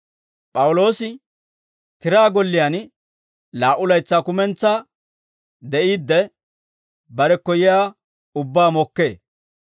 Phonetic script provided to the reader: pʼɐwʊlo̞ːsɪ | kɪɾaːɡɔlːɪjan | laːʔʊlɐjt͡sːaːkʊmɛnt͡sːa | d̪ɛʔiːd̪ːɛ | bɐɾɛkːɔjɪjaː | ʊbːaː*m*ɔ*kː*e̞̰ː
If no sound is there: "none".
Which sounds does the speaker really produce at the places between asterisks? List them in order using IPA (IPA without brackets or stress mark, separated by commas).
m, kː